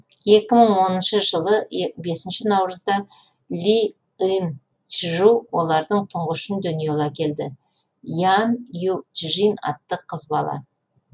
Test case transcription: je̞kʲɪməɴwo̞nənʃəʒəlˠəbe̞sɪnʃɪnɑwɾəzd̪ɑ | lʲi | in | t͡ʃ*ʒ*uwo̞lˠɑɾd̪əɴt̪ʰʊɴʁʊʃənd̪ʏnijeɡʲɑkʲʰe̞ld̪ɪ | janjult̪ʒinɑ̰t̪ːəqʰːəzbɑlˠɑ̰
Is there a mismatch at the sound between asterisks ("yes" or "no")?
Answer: no